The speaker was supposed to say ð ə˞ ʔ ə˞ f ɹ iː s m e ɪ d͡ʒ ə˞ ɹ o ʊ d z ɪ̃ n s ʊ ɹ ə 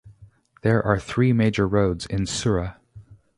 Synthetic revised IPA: ð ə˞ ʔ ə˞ θ ɹ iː m e ɪ d͡ʒ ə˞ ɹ o ʊ d z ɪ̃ n s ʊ ɹ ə

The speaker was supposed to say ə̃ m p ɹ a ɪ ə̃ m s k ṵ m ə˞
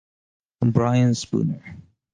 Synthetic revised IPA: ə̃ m b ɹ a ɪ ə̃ n s p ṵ n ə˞

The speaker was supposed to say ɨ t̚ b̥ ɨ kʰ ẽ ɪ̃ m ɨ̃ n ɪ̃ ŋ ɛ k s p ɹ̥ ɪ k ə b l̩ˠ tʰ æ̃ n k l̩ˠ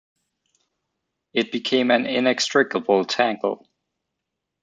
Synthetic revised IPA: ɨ t̚ b̥ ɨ kʰ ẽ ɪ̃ m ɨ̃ n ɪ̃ n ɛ k s t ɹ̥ ɪ k ə b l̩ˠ tʰ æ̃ ŋ k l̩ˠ

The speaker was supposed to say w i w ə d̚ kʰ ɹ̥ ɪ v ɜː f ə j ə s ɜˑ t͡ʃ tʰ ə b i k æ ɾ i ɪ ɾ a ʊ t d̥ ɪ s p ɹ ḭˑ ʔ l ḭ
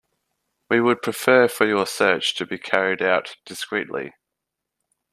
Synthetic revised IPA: w i w ə d̚ pʰ ɹ̥ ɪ f ɜː f ə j ə s ɜˑ t͡ʃ tʰ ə b i kʰ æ ɹ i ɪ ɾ a ʊ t d̥ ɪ s k ɹ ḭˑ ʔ l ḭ

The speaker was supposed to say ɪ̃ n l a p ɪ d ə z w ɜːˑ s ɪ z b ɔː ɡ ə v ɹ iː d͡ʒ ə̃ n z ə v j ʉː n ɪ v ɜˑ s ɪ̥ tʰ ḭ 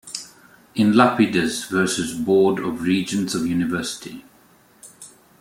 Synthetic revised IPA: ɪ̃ n l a p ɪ d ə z v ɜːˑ s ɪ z b ɔː d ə v ɹ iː d͡ʒ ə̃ n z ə v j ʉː n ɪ v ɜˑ s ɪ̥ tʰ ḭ

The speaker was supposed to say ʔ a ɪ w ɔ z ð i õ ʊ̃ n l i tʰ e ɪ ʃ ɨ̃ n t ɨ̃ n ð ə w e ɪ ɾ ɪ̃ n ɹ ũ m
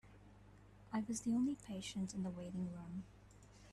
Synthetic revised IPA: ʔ a ɪ w ʌ z ð i õ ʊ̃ n l i pʰ e ɪ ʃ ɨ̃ n t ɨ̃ n ð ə w e ɪ ɾ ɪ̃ ŋ ɹ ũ m

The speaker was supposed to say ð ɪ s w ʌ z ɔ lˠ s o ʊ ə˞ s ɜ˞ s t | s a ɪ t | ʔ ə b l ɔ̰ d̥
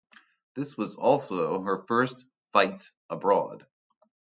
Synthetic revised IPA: ð ɪ s w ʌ z ɔ lˠ s o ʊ ə˞ f ɜ˞ s t | f a ɪ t | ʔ ə b ɹ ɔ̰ d̥

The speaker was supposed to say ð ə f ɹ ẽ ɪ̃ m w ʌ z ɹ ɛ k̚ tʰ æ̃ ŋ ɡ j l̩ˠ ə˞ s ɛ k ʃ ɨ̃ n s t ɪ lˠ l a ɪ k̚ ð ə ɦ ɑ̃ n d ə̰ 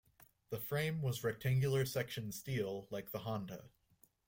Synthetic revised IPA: ð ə f ɹ ẽ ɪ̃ m w ʌ z ɹ ɛ k̚ tʰ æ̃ ŋ ɡ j l̩ˠ ə˞ s ɛ k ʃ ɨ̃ n s t i lˠ l a ɪ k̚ ð ə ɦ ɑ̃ n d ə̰

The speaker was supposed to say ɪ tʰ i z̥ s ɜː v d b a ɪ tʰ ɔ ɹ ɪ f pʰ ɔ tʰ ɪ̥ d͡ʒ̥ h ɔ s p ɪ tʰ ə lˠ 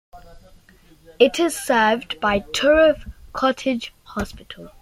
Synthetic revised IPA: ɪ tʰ ɪ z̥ s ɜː v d b a ɪ tʰ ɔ ɹ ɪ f kʰ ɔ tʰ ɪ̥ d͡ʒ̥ h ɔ s p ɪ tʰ ə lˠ

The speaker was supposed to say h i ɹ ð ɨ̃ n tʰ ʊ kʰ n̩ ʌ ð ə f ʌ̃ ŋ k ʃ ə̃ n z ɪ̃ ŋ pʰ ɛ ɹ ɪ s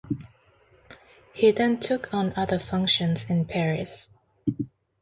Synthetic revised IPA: h i ð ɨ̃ n tʰ ʊ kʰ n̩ ʌ ð ə f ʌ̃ ŋ k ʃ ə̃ n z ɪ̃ n pʰ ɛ ɹ ɪ s

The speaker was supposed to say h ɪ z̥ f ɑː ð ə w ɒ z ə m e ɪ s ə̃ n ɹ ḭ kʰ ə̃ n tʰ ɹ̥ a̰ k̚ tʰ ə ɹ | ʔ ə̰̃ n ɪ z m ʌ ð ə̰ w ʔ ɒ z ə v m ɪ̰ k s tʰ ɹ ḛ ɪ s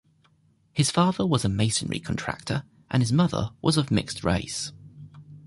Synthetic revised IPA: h ɪ z̥ f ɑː ð ə w ɒ z ə m e ɪ s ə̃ n ɹ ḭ kʰ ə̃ n tʰ ɹ̥ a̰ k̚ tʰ ə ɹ | ʔ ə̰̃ n ɪ z m ʌ ð ə̰ w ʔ ɒ z ə v m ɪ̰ k s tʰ ɹ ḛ ɪ s

